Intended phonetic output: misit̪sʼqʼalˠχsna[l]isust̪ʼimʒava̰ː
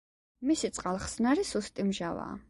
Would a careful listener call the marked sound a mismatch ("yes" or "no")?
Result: yes